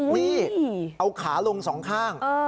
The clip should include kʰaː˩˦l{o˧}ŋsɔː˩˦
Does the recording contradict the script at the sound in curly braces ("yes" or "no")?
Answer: no